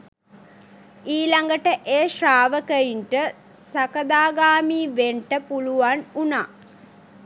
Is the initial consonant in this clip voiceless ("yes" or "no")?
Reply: no